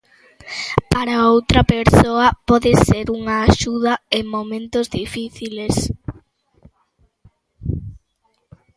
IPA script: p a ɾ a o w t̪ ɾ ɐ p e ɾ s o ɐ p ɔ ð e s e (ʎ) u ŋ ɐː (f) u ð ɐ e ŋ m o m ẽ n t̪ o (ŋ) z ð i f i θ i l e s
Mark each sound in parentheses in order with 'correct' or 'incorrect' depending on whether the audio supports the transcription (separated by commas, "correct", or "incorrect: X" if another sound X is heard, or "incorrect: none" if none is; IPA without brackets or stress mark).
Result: incorrect: ɾ, incorrect: ʃ, incorrect: none